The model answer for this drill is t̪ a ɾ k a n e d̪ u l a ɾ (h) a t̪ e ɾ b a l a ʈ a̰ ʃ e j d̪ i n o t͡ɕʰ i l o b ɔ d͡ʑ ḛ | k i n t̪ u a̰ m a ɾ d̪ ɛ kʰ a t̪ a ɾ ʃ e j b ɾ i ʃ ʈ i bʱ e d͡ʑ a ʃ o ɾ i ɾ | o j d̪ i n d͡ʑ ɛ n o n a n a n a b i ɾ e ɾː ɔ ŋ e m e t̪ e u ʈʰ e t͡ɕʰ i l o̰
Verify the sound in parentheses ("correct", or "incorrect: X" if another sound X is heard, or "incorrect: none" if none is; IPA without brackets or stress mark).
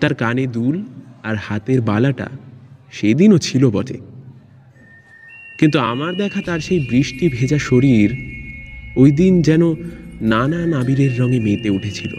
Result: correct